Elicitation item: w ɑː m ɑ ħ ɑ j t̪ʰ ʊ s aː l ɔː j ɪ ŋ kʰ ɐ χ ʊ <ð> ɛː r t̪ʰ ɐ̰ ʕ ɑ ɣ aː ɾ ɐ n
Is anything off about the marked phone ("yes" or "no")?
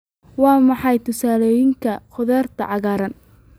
no